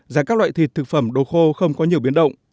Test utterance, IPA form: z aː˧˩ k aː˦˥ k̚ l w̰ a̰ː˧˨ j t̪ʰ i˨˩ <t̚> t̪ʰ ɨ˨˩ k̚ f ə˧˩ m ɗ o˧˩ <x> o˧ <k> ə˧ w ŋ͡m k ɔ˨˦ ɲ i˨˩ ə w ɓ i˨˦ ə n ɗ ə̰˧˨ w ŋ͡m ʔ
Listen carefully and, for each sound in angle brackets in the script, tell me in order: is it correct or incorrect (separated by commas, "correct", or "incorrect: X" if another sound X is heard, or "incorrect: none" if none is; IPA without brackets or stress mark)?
correct, correct, incorrect: x